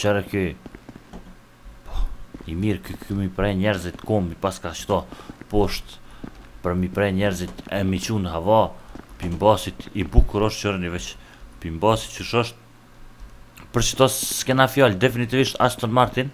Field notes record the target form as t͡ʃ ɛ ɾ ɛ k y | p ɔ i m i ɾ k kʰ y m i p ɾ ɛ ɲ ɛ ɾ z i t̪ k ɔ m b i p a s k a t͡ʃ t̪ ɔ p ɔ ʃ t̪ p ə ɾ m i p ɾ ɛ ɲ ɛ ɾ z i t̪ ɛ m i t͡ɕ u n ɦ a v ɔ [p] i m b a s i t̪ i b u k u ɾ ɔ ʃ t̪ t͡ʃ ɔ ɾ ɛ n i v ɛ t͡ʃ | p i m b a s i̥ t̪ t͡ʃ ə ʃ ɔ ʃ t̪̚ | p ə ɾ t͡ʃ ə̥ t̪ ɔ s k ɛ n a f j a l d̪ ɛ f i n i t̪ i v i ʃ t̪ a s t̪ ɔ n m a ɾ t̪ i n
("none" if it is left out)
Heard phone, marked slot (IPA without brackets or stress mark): p